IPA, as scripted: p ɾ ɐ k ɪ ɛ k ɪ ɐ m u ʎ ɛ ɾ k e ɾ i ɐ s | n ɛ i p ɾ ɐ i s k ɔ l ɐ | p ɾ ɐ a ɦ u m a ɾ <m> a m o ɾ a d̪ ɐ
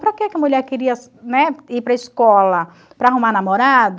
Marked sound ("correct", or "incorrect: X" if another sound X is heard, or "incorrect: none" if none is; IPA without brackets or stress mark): incorrect: n